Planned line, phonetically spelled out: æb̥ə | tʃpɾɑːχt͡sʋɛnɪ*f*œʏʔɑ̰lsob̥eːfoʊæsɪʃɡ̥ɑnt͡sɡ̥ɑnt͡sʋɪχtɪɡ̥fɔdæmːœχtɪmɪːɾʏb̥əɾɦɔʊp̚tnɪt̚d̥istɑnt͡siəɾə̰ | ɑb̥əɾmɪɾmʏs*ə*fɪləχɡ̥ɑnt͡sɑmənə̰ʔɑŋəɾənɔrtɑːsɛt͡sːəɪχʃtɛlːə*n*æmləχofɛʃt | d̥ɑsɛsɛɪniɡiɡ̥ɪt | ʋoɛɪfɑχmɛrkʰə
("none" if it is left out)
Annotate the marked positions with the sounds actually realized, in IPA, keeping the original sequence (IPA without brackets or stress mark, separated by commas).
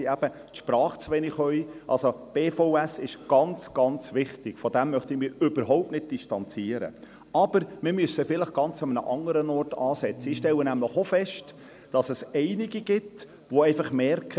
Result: χ, ə, n